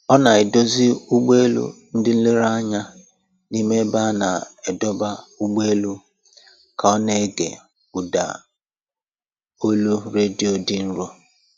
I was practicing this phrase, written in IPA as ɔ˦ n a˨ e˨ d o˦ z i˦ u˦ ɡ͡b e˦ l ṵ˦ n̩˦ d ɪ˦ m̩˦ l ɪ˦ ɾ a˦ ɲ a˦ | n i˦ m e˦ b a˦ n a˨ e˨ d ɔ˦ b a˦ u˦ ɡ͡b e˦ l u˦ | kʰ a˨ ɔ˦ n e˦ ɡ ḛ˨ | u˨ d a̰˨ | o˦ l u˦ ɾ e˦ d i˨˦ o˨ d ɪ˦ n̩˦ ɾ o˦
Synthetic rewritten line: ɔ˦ n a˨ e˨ d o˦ z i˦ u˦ ɡ͡b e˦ l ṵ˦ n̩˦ d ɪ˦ n̩˦ l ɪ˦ ɾ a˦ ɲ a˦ | n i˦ m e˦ b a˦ n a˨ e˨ d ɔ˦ b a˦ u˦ ɡ͡b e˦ l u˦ | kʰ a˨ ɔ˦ n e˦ ɡ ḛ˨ | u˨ d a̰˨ | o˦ l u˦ ɾ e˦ d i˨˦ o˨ d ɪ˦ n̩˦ ɾ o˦